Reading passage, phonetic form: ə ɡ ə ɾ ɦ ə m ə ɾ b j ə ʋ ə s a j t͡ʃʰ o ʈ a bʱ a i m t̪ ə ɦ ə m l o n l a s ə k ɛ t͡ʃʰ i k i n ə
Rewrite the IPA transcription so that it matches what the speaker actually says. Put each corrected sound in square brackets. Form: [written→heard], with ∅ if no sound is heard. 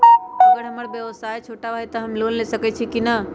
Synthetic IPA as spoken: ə ɡ ə ɾ ɦ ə m ə ɾ b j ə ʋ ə s a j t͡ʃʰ o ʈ a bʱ a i [m→∅] t̪ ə ɦ ə m l o n l [a→e] s ə k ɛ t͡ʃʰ i k i n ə